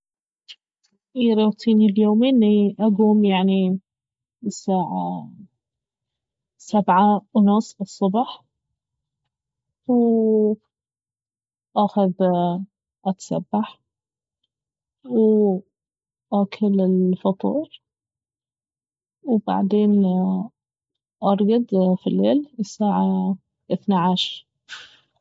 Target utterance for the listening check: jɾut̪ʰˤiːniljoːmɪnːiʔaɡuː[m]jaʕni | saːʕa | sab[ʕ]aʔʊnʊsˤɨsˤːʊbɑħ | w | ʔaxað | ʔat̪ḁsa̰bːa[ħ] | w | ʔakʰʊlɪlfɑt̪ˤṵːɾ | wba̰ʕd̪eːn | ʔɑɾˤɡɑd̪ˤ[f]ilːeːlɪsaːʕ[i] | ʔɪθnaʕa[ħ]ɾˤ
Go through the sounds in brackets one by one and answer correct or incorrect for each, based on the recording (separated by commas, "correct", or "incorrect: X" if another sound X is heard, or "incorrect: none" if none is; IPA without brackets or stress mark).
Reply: correct, correct, correct, correct, incorrect: a, incorrect: ʃ